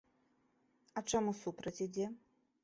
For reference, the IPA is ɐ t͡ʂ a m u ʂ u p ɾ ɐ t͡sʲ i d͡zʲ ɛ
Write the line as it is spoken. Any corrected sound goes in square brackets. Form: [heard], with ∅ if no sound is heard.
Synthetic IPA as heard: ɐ t͡ʂ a m u [s] u p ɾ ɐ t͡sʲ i d͡zʲ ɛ